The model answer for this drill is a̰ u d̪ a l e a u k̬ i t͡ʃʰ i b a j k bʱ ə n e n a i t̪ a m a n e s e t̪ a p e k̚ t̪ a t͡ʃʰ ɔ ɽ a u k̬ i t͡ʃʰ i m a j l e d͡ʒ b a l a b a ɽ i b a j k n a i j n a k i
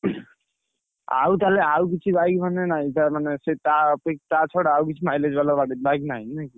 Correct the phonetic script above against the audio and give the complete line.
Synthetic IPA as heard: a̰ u t̪ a l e a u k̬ i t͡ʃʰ i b a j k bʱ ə n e n a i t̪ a m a n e s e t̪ a p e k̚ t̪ a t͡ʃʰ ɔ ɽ a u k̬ i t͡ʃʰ i m a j l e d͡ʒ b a l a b a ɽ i b a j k n a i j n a k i